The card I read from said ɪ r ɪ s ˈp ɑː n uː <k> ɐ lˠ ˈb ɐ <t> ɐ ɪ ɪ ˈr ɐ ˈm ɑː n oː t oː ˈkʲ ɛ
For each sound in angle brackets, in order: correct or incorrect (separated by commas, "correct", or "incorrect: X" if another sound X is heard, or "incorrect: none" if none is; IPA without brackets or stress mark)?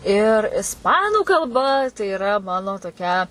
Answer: correct, correct